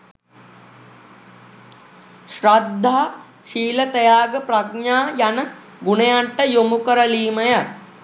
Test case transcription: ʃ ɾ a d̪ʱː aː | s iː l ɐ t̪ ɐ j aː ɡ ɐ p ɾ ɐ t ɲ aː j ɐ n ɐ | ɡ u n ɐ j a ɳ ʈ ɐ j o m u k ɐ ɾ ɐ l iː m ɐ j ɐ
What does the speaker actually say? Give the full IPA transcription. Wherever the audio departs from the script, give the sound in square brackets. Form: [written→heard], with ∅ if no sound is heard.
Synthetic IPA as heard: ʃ ɾ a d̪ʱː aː | [s→ʃ] iː l ɐ t̪ ɐ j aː ɡ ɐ p ɾ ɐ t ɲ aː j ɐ n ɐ | ɡ u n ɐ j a ɳ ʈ ɐ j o m u k ɐ ɾ ɐ l iː m ɐ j ɐ